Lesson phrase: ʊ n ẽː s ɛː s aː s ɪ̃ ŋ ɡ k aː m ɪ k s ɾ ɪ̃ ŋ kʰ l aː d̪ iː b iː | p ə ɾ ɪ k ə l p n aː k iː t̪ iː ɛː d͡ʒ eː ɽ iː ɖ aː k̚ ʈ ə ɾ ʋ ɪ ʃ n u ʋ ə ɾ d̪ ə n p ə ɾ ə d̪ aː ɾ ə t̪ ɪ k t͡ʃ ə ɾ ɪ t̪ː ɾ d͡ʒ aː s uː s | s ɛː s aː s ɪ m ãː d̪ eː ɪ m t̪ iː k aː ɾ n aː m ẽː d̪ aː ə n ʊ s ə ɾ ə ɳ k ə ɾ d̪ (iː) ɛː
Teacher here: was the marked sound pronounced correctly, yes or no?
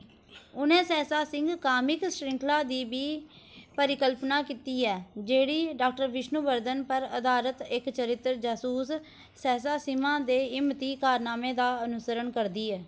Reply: yes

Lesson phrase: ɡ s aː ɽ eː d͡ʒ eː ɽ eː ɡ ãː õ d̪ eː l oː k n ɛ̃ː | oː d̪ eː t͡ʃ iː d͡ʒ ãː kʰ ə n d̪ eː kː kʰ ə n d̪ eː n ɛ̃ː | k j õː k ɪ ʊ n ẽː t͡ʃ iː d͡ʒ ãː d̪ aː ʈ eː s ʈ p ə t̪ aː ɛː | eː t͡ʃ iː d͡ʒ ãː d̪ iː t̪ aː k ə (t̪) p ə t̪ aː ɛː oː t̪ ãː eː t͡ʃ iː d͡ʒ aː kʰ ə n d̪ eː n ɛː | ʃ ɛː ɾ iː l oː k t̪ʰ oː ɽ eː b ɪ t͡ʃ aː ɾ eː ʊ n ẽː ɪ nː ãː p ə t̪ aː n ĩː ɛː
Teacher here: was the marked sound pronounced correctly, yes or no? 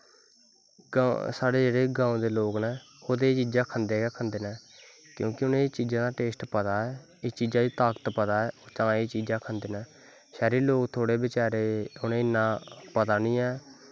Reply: yes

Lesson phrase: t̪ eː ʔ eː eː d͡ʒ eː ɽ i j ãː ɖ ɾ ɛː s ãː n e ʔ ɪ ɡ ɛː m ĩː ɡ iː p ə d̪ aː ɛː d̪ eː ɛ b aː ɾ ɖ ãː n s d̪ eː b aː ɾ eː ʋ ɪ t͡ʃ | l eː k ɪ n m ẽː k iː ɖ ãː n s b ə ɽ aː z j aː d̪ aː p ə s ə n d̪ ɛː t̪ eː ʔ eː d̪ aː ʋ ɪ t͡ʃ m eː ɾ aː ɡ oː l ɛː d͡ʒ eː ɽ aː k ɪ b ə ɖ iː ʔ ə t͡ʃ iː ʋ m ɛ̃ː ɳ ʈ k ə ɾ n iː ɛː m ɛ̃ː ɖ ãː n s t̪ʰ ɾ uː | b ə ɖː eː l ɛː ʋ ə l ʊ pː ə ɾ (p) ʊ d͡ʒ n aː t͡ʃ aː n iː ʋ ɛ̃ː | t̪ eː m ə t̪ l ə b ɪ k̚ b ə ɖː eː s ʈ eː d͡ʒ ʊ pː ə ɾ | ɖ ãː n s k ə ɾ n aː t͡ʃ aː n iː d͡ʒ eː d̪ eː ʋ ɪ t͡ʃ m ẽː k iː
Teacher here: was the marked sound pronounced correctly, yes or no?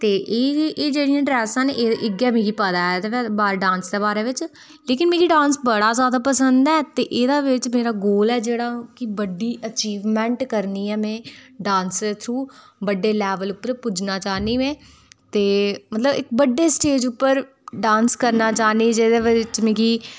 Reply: yes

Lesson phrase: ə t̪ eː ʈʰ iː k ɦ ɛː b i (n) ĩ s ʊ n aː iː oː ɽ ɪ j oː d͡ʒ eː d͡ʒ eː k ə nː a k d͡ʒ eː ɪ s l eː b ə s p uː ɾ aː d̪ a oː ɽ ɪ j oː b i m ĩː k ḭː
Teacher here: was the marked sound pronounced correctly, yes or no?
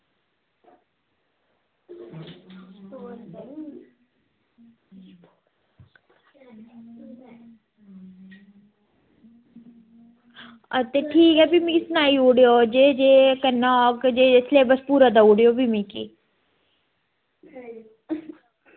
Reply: no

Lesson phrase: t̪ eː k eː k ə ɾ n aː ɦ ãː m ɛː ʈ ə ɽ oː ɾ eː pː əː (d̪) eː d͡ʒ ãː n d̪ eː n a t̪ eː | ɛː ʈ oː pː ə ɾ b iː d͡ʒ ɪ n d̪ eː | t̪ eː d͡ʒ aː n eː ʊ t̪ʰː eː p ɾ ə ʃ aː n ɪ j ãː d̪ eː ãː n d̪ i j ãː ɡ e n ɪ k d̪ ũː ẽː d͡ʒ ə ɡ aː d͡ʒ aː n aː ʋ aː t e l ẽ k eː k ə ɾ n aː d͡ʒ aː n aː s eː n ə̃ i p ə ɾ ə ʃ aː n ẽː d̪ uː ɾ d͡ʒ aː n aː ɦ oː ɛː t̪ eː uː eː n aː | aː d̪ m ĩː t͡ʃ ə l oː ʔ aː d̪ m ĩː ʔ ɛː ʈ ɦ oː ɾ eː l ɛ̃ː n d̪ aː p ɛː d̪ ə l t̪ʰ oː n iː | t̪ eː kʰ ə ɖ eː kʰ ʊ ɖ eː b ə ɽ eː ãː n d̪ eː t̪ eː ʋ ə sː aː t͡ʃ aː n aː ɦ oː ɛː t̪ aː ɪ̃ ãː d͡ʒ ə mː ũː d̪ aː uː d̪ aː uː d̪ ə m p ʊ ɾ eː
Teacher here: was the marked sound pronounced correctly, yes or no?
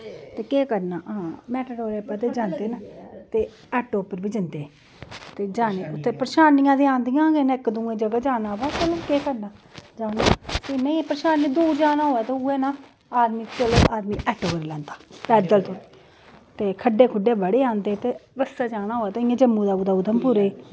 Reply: no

